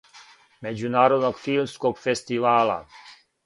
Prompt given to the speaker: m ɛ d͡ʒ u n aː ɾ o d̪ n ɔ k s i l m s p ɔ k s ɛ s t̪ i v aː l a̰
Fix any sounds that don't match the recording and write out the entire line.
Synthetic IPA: m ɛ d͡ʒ u n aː ɾ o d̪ n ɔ k f i l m s k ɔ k f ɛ s t̪ i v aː l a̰